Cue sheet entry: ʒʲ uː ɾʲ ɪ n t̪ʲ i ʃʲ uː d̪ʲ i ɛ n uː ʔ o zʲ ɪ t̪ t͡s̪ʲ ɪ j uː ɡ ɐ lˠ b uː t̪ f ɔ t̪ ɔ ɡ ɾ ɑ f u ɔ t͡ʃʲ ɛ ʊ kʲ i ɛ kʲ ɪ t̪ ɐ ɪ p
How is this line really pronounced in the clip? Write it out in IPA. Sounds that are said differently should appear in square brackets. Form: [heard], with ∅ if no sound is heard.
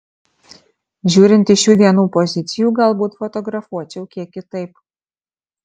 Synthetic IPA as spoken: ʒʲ uː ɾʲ ɪ n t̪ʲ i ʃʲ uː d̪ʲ i ɛ n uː [p] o zʲ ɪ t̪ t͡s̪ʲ ɪ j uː ɡ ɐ lˠ b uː t̪ f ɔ t̪ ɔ ɡ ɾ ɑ f u ɔ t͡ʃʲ ɛ ʊ kʲ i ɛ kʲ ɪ t̪ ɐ ɪ p